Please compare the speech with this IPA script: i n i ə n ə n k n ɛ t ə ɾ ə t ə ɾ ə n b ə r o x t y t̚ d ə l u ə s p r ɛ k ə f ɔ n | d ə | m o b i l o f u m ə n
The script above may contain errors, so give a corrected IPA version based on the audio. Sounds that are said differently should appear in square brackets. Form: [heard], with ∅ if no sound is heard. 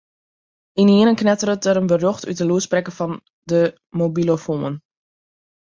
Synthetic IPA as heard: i n i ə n ə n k n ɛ t ə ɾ ə t ə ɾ ə n b ə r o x t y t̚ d ə l u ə s p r ɛ k ə f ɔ n | d ə | m o b i l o f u m ə n

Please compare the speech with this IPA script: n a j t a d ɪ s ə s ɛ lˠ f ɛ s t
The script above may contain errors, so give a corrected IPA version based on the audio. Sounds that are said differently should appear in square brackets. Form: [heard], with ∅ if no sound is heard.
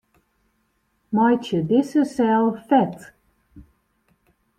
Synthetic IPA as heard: [m] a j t [ə] d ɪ s ə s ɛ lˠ f ɛ [∅] t

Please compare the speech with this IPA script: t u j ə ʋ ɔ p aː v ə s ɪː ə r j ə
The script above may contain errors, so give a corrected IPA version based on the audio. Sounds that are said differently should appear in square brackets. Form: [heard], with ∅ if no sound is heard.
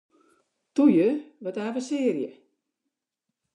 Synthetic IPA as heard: t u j ə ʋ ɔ [t] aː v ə s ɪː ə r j ə

